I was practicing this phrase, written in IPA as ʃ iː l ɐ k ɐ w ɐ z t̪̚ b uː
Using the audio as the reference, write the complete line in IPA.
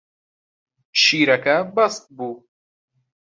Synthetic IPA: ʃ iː ɾ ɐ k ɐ b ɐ s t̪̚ b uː